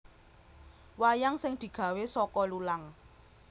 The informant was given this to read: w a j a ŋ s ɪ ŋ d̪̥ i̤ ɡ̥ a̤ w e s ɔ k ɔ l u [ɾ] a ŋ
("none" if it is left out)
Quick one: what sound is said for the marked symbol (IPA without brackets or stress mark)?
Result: l